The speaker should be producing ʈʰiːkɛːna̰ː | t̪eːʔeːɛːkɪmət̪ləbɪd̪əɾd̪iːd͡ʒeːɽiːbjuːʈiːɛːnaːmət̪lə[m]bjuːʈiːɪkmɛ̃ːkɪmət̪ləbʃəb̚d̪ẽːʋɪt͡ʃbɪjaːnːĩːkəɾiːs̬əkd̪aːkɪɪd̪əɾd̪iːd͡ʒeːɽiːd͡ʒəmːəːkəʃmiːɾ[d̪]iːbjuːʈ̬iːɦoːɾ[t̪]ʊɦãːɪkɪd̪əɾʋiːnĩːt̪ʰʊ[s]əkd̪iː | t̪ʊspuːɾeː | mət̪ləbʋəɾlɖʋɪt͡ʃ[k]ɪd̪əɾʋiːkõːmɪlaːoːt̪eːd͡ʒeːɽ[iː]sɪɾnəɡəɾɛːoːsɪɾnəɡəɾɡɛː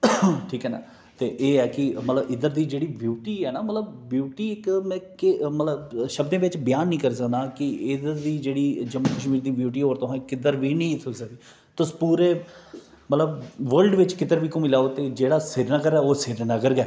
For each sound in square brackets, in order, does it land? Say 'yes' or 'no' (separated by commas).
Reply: no, yes, yes, yes, yes, no